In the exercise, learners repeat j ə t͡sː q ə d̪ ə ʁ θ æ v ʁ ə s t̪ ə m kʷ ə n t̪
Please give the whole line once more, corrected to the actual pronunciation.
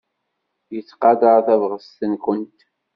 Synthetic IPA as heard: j ə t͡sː q ɑ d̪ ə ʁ θ æ v ʁ ə s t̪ ə n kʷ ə n t̪